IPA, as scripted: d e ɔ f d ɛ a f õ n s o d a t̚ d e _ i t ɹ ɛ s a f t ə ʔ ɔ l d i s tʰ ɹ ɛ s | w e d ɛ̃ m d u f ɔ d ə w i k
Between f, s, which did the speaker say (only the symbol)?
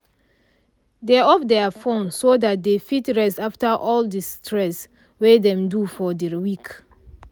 f